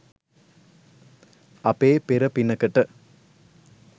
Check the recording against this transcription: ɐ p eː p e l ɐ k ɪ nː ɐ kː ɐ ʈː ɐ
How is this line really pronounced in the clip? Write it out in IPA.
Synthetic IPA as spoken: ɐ p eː p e ɾ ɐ p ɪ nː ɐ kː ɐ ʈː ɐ

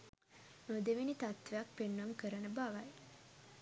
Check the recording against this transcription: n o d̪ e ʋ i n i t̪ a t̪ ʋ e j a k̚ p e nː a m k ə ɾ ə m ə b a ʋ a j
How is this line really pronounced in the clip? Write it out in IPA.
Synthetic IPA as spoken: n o d̪ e ʋ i n i t̪ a t̪ ʋ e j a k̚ p e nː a m k ə ɾ ə n ə b a ʋ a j

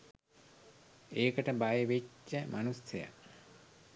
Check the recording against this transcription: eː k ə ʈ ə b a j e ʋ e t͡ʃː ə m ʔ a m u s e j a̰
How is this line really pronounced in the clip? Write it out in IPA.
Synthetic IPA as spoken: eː k ə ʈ ə b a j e ʋ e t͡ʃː ə m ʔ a n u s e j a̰

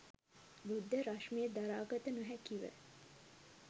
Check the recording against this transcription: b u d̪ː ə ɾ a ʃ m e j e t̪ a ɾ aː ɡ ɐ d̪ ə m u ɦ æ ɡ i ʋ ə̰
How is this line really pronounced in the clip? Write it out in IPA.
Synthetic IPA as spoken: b u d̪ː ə ɾ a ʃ m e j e d̪ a ɾ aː ɡ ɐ t̪ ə n u ɦ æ k i ʋ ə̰

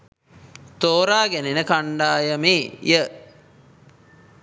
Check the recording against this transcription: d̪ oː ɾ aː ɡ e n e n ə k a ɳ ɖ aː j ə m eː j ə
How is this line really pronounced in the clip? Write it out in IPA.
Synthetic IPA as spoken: t̪ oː ɾ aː ɡ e n e n ə k a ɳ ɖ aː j ə m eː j ə

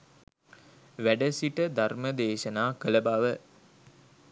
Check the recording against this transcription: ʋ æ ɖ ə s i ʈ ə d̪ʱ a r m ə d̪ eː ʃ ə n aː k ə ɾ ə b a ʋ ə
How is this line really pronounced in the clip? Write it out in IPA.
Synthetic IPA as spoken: ʋ æ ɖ ə s i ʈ ə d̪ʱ a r m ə d̪ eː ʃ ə n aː k ə l ə b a ʋ ə

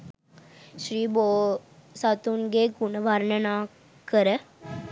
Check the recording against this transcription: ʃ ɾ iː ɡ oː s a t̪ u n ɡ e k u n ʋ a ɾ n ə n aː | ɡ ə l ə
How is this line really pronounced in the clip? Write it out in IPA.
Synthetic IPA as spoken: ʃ ɾ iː b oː s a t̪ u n ɡ e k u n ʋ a ɾ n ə n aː | k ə ɾ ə

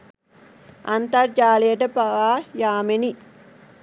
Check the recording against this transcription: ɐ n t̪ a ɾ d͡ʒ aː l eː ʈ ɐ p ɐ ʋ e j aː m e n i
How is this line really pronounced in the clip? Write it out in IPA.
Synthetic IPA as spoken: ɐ n t̪ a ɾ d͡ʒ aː l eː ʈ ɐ p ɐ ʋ a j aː m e n i

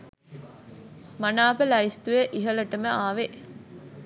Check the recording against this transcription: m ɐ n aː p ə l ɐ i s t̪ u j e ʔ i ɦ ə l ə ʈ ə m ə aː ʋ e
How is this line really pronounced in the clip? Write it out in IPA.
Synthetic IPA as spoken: m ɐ n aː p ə l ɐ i s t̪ u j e ʔ i ɦ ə l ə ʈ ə m ə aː ʋ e

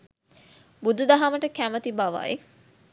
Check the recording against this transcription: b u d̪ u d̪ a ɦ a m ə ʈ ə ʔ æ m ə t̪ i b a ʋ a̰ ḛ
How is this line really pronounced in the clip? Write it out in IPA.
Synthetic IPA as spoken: b u d̪ u d̪ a ɦ a m ə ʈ ə k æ m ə t̪ i b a ʋ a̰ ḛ

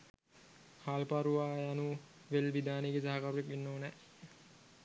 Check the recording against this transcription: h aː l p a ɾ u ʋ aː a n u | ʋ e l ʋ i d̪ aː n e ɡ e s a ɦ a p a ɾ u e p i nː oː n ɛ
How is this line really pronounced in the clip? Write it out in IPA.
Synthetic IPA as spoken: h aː l p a ɾ u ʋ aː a n u | ʋ e l ʋ i d̪ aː n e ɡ e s a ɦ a k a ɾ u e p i nː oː n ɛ

